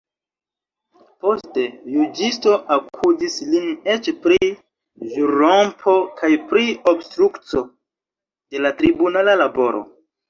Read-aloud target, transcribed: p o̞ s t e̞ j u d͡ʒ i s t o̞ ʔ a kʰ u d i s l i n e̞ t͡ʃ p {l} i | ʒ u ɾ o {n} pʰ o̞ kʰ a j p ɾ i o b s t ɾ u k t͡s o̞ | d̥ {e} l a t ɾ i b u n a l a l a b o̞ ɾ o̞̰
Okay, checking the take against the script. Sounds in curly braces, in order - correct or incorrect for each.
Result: incorrect, incorrect, correct

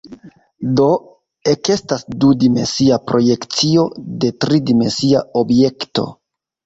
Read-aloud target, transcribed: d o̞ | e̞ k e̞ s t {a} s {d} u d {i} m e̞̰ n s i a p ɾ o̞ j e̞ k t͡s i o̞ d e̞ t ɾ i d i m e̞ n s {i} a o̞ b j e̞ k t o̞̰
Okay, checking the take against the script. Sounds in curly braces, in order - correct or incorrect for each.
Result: correct, correct, correct, correct

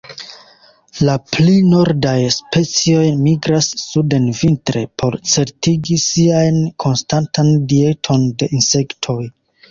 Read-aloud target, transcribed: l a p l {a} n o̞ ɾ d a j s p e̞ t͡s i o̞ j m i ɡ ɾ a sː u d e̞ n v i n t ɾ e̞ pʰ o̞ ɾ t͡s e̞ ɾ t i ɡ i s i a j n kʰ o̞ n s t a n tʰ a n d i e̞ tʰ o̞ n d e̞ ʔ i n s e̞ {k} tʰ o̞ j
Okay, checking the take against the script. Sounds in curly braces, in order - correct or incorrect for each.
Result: incorrect, correct

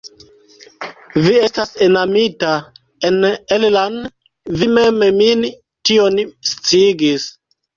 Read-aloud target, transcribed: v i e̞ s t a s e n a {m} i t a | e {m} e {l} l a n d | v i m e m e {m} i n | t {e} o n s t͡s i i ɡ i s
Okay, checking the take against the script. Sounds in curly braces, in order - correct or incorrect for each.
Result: correct, incorrect, correct, correct, incorrect

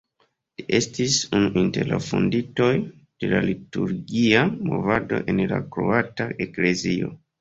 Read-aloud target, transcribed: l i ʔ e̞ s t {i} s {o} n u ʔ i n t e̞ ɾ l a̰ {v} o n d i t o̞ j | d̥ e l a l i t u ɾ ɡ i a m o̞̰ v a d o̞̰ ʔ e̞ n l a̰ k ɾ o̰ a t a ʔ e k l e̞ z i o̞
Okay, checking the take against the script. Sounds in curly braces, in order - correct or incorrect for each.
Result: correct, incorrect, incorrect

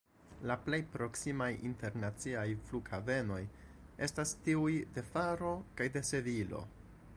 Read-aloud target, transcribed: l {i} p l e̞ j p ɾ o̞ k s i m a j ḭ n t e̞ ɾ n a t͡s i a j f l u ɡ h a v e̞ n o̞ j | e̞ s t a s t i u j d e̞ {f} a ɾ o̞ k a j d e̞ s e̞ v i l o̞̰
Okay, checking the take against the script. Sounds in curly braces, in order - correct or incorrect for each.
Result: incorrect, correct

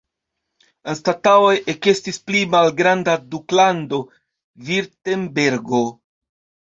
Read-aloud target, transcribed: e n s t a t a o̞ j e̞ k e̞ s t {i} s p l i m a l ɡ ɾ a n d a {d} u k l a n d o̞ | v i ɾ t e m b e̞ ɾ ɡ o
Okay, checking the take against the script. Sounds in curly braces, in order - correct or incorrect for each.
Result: correct, correct

